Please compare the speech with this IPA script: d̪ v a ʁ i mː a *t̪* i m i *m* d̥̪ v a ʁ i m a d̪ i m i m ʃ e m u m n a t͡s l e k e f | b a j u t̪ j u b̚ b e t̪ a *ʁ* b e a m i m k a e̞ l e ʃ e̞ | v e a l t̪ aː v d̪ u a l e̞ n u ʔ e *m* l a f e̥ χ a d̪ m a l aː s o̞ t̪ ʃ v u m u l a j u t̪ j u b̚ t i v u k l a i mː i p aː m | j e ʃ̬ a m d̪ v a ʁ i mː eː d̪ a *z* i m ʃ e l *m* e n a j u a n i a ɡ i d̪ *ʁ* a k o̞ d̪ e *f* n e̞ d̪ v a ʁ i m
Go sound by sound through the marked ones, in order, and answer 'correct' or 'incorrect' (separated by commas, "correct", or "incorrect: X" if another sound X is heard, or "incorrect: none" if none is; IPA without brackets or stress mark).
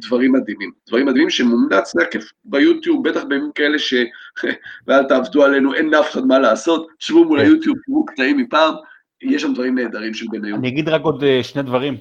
incorrect: d̪, correct, incorrect: χ, incorrect: n, incorrect: ʁ, incorrect: b, correct, incorrect: ʃ